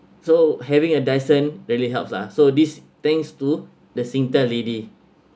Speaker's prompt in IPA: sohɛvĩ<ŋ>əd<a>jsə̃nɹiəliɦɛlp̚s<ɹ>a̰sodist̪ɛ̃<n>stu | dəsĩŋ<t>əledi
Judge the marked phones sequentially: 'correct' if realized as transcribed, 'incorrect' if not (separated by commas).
correct, correct, incorrect, incorrect, correct